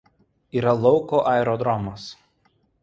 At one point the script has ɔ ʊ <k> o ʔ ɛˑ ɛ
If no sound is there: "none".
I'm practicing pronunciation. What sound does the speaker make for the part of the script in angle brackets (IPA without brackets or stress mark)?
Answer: k